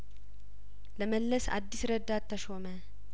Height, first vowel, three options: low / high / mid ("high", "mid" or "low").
mid